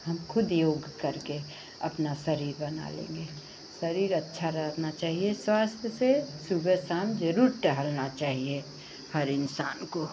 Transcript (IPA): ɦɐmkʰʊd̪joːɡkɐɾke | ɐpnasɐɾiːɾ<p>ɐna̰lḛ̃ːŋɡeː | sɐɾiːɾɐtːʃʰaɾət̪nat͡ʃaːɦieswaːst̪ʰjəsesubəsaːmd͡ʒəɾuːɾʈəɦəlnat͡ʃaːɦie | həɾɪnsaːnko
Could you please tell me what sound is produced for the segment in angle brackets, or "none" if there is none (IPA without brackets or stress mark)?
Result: b